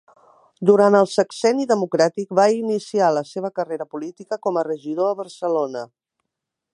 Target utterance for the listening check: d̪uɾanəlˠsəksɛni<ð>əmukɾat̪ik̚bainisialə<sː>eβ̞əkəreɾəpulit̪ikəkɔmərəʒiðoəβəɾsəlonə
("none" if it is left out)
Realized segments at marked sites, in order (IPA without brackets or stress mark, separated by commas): ð, s